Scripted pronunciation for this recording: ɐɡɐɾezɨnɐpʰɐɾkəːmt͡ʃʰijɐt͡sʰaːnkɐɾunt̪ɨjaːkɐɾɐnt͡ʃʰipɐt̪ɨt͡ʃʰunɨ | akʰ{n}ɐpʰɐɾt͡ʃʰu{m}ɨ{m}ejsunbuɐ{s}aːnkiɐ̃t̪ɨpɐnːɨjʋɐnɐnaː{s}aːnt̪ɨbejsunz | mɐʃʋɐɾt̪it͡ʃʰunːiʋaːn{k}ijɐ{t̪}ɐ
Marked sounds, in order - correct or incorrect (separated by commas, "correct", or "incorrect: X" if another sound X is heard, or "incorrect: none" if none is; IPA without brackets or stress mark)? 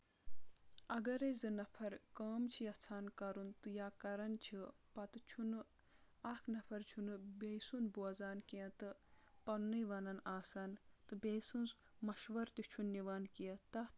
correct, incorrect: n, incorrect: b, incorrect: z, correct, correct, correct